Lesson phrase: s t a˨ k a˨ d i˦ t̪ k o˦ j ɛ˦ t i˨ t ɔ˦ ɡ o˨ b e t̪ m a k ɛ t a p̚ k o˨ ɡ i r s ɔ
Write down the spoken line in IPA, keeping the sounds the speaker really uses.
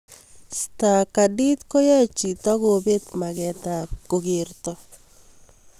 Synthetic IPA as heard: s t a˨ k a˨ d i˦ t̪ k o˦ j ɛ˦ t͡ʃ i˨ t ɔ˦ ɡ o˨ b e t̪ m a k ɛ t a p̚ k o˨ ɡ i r t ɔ